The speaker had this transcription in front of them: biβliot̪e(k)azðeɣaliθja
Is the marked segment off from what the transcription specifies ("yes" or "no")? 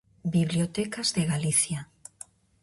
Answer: no